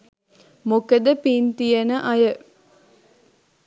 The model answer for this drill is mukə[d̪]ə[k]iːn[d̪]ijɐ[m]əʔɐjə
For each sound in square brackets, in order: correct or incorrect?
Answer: correct, incorrect: p, incorrect: t̪, incorrect: n

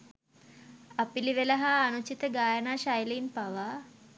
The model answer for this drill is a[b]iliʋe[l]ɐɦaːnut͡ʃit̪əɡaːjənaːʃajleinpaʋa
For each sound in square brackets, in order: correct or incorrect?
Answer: incorrect: p, correct

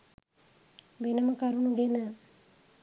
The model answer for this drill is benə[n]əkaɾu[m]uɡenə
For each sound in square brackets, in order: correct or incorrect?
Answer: incorrect: m, incorrect: n

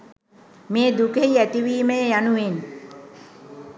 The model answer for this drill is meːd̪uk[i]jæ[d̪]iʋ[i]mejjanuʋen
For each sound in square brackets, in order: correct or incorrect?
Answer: incorrect: e, incorrect: t̪, incorrect: iː

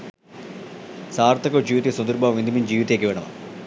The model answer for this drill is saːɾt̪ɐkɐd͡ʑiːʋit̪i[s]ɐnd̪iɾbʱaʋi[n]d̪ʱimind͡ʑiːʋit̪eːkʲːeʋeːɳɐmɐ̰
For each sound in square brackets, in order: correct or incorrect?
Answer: correct, correct

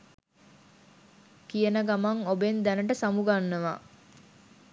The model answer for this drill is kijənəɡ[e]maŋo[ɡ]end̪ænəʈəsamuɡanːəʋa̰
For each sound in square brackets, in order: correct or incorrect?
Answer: incorrect: a, incorrect: b

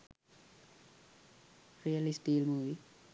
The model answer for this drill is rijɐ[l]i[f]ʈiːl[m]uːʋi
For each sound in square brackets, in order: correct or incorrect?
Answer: correct, incorrect: s, correct

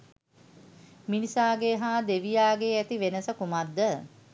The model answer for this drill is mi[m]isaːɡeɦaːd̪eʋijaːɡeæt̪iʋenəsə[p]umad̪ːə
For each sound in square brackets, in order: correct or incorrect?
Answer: incorrect: n, incorrect: k

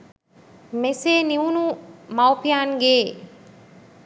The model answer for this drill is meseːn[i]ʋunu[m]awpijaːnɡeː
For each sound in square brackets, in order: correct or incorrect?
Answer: correct, correct

